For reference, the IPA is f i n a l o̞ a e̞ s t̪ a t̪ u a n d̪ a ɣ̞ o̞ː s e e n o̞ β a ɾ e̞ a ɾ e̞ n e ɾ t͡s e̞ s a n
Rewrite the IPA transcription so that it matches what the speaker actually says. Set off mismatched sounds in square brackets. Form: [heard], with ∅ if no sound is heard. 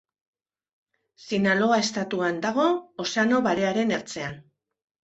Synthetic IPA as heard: [s] i n a l o̞ a e̞ s t̪ a t̪ u a n d̪ a ɣ̞ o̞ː s e [a] n o̞ β a ɾ e̞ a ɾ e̞ n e ɾ t͡s e̞ [∅] a n